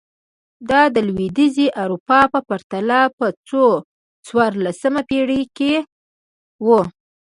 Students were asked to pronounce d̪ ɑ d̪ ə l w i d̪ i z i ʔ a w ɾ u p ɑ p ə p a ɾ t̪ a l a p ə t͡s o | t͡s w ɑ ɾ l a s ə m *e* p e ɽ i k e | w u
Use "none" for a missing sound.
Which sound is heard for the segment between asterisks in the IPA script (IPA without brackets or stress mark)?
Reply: a